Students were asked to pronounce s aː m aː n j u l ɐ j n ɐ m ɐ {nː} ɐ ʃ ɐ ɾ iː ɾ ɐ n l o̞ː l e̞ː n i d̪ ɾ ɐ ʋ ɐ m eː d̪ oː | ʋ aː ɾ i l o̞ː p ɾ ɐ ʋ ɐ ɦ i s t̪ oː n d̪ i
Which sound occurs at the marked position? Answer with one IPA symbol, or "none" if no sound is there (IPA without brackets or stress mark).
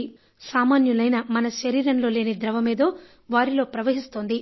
n